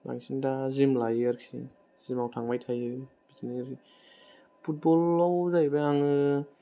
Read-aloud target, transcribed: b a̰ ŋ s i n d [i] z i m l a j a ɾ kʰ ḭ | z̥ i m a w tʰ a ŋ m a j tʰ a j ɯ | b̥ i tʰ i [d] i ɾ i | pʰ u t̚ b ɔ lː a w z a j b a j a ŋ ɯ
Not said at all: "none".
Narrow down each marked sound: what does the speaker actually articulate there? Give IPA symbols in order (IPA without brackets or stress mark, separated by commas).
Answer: a, n